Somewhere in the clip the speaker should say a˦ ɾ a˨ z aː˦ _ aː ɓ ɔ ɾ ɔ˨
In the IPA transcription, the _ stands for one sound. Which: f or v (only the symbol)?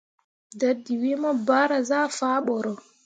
f